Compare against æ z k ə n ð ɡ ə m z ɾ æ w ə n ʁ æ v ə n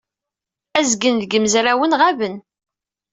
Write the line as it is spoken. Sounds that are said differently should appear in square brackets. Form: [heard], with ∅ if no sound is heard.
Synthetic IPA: æ z [ɡ] ə n ð ɡ ə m z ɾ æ w ə n ʁ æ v ə n